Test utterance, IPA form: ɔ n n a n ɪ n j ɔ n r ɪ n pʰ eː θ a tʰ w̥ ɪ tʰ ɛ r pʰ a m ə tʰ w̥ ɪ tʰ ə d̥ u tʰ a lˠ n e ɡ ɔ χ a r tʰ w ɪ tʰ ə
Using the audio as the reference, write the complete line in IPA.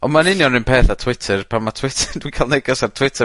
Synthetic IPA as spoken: ɔ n m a n ɪ n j ɔ n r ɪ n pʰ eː θ a tʰ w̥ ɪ tʰ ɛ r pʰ a m a tʰ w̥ ɪ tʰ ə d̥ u kʰ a lˠ n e ɡ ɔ s a r tʰ w ɪ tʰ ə

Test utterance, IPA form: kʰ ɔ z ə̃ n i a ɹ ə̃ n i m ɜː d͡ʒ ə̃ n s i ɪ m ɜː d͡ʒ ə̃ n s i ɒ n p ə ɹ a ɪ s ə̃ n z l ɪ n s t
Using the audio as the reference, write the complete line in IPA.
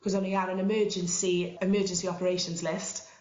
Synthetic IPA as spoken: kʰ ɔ z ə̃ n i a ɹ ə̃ n ɪ m ɜː d͡ʒ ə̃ n s i ɪ m ɜː d͡ʒ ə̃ n s i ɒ p ə ɹ e ɪ ʃ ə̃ n z l ɪ s t

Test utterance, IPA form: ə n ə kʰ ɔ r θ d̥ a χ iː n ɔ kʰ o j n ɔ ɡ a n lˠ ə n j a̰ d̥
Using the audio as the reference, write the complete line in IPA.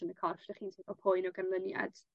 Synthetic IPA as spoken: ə n ə kʰ ɔ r f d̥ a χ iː n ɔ pʰ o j n ɔ ɡ a n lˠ ə n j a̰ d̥

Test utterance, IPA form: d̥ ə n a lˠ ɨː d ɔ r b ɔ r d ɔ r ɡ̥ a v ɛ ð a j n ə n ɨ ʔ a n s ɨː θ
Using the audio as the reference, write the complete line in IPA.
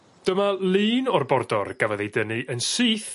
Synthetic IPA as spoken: d̥ ə m a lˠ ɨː n ɔ r b ɔ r d ɔ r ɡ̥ a v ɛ ð e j d ə n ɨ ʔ ə n s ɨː θ

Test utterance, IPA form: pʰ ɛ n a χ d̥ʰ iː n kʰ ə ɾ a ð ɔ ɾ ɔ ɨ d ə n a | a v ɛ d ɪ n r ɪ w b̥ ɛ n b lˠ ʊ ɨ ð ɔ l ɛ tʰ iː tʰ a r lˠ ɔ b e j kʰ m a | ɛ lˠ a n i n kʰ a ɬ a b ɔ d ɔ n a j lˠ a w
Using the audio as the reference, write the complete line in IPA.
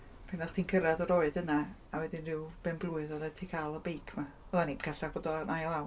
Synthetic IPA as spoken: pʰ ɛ n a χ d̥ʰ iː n kʰ ə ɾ a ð ɔ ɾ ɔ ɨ d ə n a | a w ɛ d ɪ n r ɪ w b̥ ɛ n b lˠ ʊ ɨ ð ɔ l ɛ tʰ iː kʰ a lˠ ɔ b e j kʰ m a | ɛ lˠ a n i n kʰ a ɬ a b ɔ d ɔ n a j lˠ a w

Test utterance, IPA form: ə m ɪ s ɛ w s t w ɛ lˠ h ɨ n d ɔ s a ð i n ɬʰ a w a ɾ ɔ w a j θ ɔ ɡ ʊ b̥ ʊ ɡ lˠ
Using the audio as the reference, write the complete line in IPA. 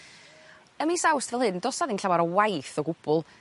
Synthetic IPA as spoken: ə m i s a w s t v ɛ lˠ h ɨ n d ɔ s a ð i n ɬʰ a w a ɾ ɔ w a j θ ɔ ɡ ʊ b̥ ʊ lˠ

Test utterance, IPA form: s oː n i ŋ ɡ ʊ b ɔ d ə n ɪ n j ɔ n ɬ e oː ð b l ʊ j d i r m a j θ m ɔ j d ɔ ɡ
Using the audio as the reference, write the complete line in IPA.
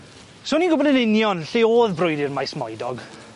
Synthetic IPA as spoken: s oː n i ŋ ɡ ʊ b ɔ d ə n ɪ n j ɔ n ɬ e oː ð b r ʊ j d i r m a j s m ɔ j d ɔ ɡ

